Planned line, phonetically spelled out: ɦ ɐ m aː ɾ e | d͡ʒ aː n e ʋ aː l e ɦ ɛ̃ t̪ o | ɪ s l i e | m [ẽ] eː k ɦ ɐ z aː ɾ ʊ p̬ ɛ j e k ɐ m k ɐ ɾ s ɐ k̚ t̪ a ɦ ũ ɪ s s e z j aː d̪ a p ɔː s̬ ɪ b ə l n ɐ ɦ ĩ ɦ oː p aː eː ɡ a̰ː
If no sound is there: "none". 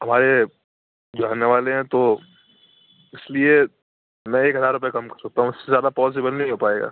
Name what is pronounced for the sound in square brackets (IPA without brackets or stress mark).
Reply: ɛ̃